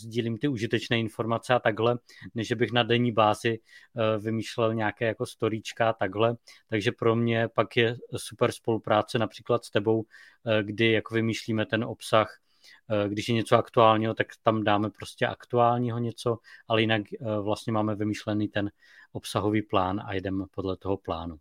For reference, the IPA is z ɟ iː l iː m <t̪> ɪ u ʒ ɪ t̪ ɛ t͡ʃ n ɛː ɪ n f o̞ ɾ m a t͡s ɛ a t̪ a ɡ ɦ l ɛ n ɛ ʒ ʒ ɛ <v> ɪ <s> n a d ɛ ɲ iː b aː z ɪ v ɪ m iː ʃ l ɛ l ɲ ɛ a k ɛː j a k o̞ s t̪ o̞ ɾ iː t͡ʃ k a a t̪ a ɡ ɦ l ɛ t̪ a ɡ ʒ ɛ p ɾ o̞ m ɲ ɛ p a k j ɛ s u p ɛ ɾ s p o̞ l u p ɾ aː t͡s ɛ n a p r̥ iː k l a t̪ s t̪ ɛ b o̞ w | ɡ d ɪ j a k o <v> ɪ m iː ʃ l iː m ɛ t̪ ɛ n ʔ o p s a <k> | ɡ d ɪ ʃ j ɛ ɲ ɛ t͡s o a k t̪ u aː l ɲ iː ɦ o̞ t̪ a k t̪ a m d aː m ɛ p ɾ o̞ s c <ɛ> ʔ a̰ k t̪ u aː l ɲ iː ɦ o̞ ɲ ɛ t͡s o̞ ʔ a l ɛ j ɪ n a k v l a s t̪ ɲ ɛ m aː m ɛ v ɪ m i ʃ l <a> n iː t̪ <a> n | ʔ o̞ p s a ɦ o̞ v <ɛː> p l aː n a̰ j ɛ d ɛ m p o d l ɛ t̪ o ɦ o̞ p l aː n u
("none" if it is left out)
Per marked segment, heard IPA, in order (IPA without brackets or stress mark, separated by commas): t̪, b, x, v, x, ɛ, ɛ, ɛ, iː